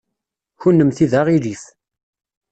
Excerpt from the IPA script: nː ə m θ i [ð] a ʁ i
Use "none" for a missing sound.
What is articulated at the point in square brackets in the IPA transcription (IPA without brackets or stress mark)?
ð